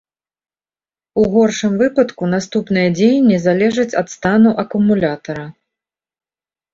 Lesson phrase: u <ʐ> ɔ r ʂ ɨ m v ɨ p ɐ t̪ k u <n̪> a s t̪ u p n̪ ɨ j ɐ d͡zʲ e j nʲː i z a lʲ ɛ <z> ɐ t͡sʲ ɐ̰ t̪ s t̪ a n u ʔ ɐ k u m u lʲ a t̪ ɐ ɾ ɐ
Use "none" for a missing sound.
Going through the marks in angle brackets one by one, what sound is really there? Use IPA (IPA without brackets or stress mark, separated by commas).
ɣ, n̪, ʐ